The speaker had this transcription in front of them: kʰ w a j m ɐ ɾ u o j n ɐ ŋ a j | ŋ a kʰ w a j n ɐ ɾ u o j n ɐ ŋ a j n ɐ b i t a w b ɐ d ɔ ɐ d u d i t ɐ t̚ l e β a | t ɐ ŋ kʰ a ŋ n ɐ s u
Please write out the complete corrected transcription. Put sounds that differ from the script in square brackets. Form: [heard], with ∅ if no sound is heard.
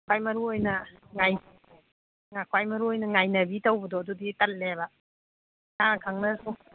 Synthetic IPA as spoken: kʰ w a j m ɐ ɾ u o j n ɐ ŋ a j | ŋ a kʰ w a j [m] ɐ ɾ u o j n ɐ ŋ a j n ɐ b i t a w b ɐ d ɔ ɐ d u d i t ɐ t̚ l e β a | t [a] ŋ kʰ a ŋ n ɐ s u